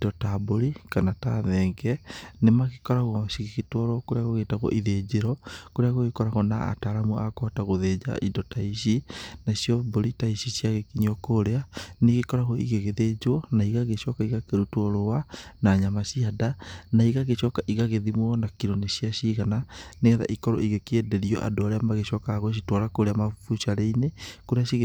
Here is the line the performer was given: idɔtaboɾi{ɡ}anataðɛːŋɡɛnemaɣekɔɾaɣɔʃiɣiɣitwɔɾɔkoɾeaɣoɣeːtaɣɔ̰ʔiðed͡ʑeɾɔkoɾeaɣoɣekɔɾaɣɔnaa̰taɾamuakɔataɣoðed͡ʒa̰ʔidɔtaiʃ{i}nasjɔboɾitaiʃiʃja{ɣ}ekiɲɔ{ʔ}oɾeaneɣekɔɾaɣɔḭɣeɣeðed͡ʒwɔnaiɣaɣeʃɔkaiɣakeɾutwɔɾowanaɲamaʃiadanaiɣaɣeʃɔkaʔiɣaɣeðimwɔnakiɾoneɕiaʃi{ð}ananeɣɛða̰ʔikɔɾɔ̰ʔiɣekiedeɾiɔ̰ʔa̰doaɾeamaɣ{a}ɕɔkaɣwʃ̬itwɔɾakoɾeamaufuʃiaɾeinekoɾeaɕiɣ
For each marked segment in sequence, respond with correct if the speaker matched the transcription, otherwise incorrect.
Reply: incorrect, correct, correct, incorrect, incorrect, incorrect

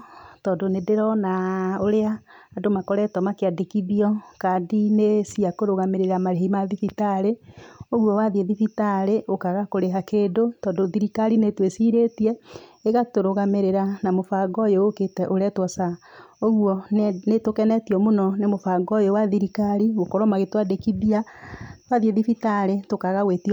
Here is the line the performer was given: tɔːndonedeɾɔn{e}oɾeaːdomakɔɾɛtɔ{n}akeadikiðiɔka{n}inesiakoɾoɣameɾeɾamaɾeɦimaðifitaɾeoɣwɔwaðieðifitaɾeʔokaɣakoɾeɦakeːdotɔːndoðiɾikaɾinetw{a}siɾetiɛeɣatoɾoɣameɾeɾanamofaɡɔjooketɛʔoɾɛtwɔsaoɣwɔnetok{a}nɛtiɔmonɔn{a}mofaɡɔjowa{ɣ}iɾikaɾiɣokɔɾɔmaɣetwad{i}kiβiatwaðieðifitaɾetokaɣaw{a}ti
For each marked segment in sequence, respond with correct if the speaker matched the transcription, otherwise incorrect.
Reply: incorrect, incorrect, incorrect, incorrect, incorrect, incorrect, incorrect, incorrect, incorrect

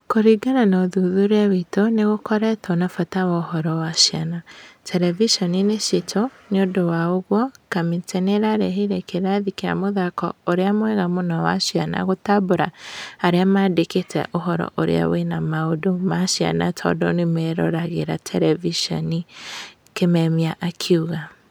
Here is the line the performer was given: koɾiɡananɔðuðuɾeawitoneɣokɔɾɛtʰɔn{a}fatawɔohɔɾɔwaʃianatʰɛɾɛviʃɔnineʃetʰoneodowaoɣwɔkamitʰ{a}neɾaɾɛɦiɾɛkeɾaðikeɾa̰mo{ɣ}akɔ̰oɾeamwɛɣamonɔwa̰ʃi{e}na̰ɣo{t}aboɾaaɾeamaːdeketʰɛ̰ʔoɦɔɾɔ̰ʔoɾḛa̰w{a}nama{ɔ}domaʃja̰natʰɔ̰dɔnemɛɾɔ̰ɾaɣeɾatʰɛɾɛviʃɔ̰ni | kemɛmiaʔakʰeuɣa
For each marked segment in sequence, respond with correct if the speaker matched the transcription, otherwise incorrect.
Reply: correct, incorrect, incorrect, incorrect, correct, incorrect, incorrect

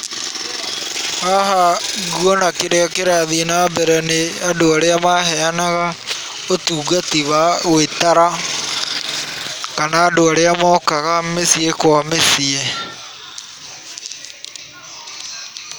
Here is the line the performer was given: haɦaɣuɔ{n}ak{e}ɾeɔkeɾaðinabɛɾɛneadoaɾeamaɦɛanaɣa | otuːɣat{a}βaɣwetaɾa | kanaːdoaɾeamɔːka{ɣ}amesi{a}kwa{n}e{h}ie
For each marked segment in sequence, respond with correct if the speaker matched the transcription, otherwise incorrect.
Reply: correct, correct, incorrect, correct, incorrect, incorrect, incorrect

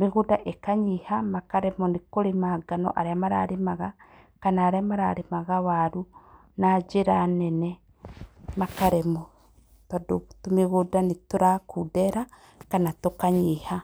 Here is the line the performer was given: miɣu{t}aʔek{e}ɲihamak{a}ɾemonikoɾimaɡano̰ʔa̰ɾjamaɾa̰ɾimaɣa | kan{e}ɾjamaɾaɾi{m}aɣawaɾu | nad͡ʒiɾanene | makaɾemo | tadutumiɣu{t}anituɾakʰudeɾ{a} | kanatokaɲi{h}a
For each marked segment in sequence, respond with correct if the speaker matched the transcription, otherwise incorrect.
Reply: incorrect, incorrect, correct, incorrect, correct, incorrect, correct, correct

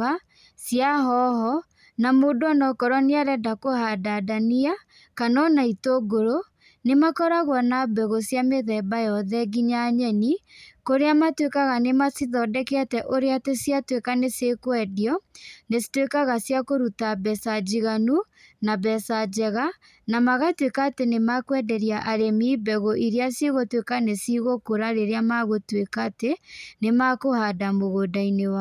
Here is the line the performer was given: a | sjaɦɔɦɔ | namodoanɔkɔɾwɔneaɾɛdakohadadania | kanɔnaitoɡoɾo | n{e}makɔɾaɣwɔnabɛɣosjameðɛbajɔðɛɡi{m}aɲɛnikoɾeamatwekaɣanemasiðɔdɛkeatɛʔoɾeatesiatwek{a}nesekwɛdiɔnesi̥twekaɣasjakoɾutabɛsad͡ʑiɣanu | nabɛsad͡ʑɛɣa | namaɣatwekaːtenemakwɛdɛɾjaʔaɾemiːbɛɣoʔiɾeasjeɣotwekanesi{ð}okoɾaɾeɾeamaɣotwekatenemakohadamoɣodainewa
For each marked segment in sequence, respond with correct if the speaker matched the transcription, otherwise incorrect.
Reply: correct, incorrect, correct, incorrect

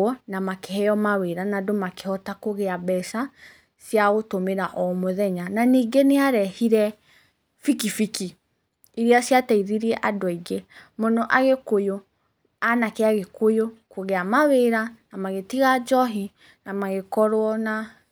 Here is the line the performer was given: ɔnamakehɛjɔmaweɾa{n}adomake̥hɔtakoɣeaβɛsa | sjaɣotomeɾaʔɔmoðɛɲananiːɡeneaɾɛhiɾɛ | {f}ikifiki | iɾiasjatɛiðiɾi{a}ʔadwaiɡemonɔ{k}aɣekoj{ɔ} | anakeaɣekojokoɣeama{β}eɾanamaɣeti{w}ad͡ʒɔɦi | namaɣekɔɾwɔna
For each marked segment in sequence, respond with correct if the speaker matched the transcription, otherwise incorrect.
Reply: correct, correct, incorrect, incorrect, incorrect, incorrect, incorrect

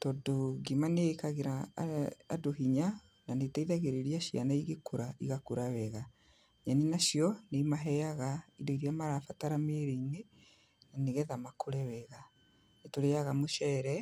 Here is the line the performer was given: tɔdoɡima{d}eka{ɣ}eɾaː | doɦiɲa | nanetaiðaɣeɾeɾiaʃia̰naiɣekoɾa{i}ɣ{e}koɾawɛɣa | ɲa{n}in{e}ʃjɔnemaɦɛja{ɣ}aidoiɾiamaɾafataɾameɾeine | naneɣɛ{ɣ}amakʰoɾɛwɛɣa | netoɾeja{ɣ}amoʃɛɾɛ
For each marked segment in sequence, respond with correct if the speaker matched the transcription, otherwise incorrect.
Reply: incorrect, correct, correct, incorrect, correct, incorrect, correct, incorrect, correct

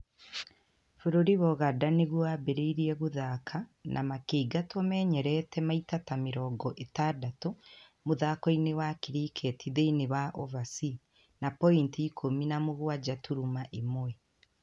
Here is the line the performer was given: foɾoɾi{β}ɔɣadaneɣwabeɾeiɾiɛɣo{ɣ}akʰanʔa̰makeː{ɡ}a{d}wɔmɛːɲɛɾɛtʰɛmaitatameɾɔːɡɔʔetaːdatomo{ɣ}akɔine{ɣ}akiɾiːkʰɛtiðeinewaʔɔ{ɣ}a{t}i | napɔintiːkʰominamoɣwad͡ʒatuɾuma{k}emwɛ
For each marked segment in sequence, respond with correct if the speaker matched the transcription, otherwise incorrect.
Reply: correct, incorrect, correct, incorrect, incorrect, incorrect, incorrect, incorrect, incorrect

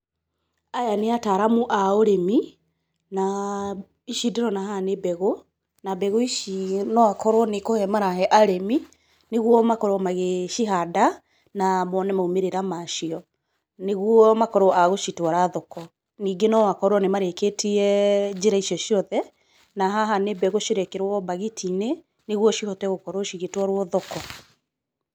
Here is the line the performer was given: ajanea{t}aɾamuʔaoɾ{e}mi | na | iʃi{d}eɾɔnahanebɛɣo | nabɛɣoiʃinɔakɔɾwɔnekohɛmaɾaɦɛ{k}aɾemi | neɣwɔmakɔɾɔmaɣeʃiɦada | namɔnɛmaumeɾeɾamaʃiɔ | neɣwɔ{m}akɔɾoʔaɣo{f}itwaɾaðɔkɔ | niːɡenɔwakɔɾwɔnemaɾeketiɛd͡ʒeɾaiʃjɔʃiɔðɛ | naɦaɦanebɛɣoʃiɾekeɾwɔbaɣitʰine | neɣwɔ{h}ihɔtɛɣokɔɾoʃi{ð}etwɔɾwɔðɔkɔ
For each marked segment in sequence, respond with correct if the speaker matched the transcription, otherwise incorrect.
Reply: correct, correct, correct, incorrect, correct, incorrect, incorrect, incorrect

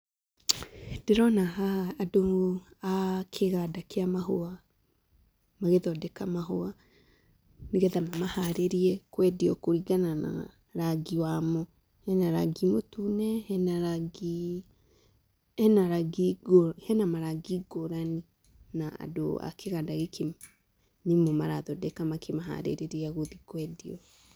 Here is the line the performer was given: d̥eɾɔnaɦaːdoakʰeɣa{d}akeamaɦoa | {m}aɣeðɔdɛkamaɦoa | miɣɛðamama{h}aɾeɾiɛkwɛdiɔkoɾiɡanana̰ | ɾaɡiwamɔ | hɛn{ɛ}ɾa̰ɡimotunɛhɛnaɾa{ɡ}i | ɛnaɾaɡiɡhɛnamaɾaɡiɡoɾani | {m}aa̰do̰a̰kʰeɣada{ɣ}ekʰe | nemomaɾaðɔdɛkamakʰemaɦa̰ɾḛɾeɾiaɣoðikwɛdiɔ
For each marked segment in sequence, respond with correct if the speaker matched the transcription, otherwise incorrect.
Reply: correct, correct, correct, incorrect, correct, incorrect, correct

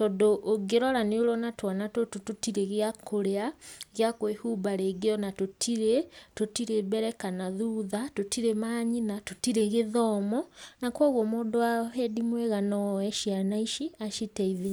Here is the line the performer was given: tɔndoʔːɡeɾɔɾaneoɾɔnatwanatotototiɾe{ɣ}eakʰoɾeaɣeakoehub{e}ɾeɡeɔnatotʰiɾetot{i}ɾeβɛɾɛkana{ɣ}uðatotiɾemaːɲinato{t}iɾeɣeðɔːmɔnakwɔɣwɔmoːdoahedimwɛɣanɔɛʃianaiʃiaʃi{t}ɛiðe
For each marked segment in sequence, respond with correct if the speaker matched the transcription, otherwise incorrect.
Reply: correct, incorrect, correct, incorrect, correct, correct

